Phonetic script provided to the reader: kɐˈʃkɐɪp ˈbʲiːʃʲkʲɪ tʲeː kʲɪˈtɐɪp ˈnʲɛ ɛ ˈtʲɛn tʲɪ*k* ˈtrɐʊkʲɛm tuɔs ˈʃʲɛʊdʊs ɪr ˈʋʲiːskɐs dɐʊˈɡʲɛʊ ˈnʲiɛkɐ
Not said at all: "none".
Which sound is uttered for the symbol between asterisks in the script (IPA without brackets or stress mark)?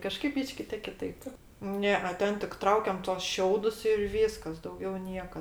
k